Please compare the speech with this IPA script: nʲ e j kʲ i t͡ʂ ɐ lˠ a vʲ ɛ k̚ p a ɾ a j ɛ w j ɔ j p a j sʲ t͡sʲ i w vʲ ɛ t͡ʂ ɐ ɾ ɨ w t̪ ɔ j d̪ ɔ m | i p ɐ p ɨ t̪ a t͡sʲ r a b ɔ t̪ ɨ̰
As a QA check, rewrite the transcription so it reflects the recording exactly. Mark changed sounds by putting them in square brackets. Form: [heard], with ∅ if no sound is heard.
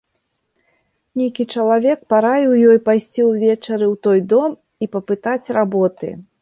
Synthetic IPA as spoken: nʲ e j kʲ i t͡ʂ ɐ lˠ a vʲ ɛ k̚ p a ɾ a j ɛ w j ɔ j p a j sʲ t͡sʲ i w vʲ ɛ t͡ʂ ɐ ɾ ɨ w t̪ ɔ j d̪ ɔ m | i p ɐ p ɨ t̪ a t͡sʲ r a b ɔ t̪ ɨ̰